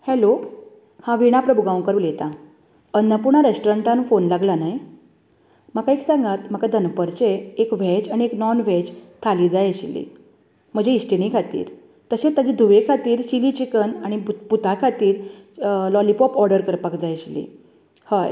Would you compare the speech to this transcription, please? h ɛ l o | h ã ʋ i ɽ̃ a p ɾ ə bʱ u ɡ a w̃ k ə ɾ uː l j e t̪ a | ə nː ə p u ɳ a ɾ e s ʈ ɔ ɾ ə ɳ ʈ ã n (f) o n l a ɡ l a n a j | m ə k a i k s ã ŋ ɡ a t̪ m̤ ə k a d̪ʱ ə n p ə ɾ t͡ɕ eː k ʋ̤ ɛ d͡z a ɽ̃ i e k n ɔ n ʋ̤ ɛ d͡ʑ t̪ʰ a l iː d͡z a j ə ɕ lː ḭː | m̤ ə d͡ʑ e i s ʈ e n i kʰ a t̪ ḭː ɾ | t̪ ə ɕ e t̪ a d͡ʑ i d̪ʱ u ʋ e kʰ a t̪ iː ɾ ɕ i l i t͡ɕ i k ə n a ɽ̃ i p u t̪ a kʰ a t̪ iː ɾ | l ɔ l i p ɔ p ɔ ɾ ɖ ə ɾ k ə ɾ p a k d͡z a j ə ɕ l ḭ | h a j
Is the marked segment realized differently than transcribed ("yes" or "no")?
no